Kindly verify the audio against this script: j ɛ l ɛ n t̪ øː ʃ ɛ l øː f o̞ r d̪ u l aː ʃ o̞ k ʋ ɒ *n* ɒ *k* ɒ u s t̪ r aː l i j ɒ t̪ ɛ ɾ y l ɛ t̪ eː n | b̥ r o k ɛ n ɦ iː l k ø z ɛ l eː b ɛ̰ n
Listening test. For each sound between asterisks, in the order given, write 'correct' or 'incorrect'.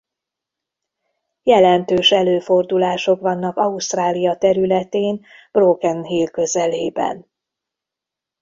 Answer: incorrect, correct

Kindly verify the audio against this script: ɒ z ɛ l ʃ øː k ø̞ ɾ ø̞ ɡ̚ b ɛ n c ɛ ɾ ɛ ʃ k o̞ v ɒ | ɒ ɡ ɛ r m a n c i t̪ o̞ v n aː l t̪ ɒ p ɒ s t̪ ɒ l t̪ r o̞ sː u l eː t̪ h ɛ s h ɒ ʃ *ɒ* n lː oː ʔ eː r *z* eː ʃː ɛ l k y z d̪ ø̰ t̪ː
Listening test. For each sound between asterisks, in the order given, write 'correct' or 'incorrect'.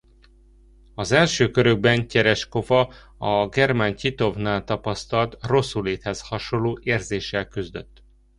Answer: incorrect, correct

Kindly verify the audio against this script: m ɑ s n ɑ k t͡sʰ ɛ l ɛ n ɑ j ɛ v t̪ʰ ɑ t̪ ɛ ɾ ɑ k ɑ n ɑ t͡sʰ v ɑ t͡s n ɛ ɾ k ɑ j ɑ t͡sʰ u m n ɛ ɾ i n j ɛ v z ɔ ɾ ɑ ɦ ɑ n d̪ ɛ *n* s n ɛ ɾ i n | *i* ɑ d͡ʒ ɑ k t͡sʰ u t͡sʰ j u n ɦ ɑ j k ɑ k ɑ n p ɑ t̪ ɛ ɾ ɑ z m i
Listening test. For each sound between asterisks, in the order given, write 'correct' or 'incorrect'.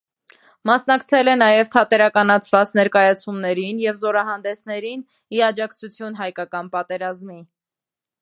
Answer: incorrect, correct

